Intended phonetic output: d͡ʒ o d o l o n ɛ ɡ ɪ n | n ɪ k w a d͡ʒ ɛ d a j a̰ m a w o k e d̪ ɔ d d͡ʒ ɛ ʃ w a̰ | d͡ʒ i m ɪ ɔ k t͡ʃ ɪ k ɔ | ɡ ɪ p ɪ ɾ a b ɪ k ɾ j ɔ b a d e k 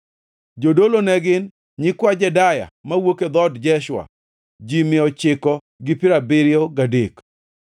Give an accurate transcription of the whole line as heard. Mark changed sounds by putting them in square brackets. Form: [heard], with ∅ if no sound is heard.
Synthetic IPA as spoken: d͡ʒ o d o l o n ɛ ɡ ɪ n | [ɲ] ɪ k w a d͡ʒ ɛ d a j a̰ m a w o k e d̪ ɔ d d͡ʒ ɛ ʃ w a̰ | d͡ʒ i m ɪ ɔ [∅] t͡ʃ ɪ k ɔ | ɡ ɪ p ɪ ɾ a b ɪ [∅] ɾ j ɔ [ɡ] a d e k